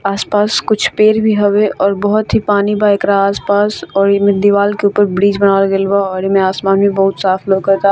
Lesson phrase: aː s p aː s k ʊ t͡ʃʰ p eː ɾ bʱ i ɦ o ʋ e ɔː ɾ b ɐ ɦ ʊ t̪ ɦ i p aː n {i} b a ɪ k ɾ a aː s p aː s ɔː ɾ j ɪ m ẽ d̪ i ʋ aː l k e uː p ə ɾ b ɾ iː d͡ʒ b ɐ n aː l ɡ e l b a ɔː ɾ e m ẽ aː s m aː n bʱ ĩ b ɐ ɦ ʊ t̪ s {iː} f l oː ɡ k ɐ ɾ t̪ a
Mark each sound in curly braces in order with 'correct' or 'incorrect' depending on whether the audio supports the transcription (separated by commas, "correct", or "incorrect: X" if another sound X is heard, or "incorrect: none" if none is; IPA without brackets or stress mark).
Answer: correct, incorrect: aː